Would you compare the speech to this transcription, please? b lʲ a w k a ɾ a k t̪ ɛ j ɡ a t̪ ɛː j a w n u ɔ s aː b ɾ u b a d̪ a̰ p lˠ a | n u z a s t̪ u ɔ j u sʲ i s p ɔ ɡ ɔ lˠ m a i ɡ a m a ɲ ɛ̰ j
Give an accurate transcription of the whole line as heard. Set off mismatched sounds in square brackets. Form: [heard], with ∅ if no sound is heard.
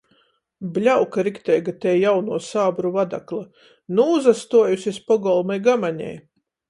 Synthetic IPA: b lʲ a w k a ɾ [i] k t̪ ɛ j ɡ a t̪ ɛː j a w n u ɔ s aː b ɾ u [v] a d̪ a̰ [k] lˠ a | n [uː] z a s t̪ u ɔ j u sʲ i s p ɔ ɡ ɔ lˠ m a [j] ɡ a m a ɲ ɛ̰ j

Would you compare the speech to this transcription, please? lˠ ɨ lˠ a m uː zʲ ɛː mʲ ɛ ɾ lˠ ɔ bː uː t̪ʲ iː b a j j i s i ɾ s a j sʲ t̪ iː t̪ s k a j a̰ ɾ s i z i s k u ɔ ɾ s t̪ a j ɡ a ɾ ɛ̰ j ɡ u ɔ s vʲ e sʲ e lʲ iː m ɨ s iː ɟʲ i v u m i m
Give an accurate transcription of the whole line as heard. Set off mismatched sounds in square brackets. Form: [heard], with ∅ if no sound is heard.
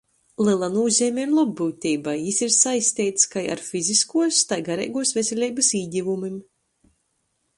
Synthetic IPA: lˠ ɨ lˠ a [n] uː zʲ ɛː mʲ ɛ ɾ lˠ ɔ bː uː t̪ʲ iː b a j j i s i ɾ s a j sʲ t̪ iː t̪ s k a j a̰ ɾ [f] i z i s k u ɔ [∅] s t̪ a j ɡ a ɾ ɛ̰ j ɡ u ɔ s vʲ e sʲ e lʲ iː [b] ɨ s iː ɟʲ i v u m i m

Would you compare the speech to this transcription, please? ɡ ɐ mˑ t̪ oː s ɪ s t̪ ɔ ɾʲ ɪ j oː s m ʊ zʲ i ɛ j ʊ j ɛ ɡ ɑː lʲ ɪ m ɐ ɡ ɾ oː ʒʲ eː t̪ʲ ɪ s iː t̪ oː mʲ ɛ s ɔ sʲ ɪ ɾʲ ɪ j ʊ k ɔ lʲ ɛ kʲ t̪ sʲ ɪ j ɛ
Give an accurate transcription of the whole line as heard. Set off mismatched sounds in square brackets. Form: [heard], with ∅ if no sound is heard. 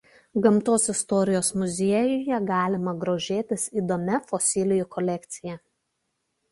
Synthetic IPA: ɡ ɐ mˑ t̪ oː s ɪ s t̪ ɔ ɾʲ ɪ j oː s m ʊ zʲ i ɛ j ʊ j ɛ ɡ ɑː lʲ ɪ m ɐ ɡ ɾ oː ʒʲ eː t̪ʲ ɪ s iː [d̪] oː mʲ ɛ [f] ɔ sʲ ɪ [lʲ] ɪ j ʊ k ɔ lʲ ɛ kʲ t̪ sʲ ɪ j ɛ

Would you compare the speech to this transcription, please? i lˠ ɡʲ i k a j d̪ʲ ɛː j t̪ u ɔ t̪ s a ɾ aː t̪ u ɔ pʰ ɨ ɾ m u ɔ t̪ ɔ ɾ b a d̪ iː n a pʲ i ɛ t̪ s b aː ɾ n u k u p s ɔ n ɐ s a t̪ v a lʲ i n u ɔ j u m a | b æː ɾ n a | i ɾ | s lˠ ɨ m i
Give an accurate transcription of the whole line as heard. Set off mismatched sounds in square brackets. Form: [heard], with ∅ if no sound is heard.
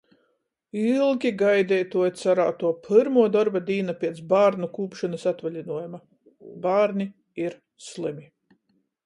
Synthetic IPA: i lˠ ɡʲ i [ɡ] a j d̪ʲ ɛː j t̪ u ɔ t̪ s a ɾ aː t̪ u ɔ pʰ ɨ ɾ m u ɔ [d̪] ɔ ɾ b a d̪ iː n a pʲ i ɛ t̪ s b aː ɾ n u k [uː] p [ʃ] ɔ n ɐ s a t̪ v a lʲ i n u ɔ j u m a | b [aː] ɾ n [i] | i ɾ | s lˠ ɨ m i

